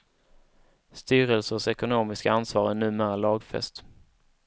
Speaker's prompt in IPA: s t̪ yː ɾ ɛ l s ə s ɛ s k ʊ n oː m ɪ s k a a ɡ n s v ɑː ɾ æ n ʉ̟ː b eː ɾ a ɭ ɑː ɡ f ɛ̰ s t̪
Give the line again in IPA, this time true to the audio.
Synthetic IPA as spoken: s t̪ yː ɾ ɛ l s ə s ɛ k ʊ n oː m ɪ s k a a n s v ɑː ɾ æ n ʉ̟ː m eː ɾ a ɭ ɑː ɡ f ɛ̰ s t̪